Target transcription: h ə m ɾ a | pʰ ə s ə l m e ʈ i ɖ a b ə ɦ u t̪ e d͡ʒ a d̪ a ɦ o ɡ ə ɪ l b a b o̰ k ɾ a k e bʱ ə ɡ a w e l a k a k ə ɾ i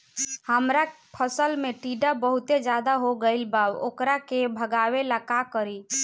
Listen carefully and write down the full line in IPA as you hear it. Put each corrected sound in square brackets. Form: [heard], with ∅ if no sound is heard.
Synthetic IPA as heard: h ə m ɾ a | pʰ ə s ə l m e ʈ i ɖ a b ə ɦ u t̪ e d͡ʒ a d̪ a ɦ o ɡ ə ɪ l b a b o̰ k ɾ a k e bʱ ə ɡ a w e l a k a k ə ɾ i